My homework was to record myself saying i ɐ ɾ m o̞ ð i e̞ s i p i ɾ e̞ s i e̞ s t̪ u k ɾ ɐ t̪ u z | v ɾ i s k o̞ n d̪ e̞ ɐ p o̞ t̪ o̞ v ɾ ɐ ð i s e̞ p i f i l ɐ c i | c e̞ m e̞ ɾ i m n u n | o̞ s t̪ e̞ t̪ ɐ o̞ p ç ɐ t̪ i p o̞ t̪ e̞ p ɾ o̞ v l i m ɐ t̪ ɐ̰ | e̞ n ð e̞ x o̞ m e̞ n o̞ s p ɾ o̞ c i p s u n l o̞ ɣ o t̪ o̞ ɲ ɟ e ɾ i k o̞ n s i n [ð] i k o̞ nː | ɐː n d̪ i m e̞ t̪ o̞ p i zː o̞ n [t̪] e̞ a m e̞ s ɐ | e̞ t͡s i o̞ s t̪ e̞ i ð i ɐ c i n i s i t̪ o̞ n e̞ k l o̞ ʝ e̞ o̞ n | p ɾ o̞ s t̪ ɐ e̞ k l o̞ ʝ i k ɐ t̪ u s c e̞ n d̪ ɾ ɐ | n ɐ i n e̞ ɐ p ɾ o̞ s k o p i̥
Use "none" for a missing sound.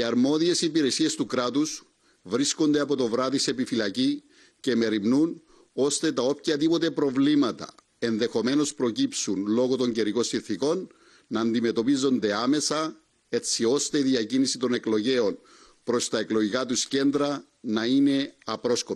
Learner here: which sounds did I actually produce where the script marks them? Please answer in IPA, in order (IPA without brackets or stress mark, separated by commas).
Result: θ, d̪